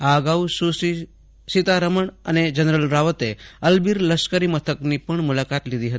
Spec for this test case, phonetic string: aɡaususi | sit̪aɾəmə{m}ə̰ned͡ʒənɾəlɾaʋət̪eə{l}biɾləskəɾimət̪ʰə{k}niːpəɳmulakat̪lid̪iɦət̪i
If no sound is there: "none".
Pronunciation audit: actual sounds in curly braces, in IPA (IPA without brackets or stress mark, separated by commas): ɳ, l, k